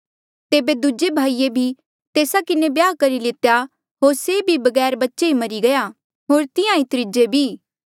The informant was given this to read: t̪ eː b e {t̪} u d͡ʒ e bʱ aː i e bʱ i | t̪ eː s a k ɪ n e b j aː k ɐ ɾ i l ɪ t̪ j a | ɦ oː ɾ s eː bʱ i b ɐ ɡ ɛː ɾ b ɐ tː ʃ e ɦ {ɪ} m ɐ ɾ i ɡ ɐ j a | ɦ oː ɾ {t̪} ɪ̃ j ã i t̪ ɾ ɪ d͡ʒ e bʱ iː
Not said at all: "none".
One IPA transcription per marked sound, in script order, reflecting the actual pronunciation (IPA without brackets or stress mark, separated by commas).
d̪, i, t̪